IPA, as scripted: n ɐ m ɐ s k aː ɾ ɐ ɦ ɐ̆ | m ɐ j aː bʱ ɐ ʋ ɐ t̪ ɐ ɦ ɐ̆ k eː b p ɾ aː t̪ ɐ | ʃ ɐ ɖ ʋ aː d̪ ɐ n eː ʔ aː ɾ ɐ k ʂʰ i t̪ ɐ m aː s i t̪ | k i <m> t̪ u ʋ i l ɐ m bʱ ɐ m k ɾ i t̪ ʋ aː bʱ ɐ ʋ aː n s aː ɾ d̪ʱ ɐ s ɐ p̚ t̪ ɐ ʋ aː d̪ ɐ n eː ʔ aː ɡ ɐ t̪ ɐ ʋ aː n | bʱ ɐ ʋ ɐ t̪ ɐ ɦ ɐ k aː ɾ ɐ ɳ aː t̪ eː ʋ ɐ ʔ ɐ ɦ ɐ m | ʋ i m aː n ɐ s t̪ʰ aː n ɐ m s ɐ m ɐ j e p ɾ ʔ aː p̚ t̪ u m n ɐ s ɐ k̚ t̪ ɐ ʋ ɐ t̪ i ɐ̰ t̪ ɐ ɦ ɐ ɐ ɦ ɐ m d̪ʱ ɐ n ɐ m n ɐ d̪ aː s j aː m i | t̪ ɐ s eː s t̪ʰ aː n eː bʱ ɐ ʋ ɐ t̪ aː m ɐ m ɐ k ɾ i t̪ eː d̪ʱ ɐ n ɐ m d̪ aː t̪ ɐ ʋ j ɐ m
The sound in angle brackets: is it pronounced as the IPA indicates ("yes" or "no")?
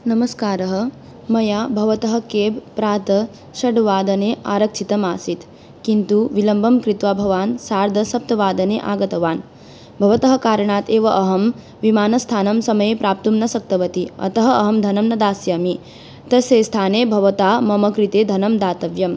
no